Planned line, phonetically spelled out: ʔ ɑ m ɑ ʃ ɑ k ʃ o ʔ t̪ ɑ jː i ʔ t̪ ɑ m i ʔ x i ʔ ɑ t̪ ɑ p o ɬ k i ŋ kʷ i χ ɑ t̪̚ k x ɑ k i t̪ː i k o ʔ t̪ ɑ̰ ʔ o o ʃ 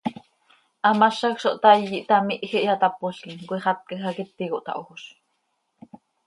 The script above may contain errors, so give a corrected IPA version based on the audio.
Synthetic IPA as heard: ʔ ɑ m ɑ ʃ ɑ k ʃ o ʔ t̪ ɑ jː i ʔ t̪ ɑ m i ʔ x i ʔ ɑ t̪ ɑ p o ɬ k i ŋ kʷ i χ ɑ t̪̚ k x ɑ k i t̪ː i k o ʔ t̪ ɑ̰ ʔ o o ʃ